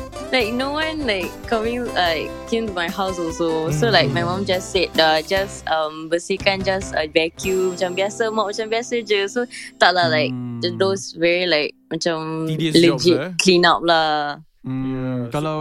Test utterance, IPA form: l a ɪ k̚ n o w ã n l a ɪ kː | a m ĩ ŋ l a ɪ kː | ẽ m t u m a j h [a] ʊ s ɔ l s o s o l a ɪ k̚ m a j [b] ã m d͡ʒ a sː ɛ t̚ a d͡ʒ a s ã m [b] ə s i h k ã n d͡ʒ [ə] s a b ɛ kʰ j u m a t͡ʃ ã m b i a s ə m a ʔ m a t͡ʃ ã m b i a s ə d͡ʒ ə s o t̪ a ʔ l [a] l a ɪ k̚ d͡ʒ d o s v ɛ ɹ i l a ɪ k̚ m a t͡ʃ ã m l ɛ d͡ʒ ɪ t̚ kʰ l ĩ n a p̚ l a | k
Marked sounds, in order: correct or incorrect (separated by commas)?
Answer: correct, incorrect, correct, incorrect, correct